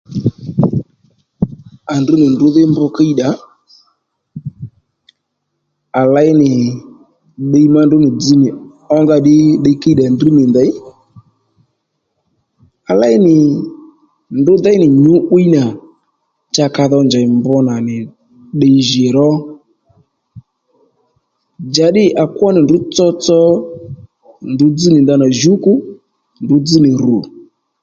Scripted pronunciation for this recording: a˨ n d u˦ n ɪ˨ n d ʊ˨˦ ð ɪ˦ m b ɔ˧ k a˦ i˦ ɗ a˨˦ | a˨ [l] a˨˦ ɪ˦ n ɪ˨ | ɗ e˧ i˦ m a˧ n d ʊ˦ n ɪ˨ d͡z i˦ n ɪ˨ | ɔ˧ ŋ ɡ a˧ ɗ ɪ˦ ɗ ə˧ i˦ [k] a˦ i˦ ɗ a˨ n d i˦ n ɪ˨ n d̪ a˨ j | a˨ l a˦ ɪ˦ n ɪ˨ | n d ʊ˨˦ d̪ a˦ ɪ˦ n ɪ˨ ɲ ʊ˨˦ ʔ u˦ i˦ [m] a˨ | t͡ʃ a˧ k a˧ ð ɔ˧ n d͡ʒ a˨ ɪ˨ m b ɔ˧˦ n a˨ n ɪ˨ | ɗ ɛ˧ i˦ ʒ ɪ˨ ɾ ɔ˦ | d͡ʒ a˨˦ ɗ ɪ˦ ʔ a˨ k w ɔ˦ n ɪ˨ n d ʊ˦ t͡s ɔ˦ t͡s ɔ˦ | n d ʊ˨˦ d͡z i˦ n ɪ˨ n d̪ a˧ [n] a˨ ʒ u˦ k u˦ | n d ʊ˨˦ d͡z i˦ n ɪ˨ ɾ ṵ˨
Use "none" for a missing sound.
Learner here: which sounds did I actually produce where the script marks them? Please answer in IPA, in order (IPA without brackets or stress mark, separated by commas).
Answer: l, k, n, n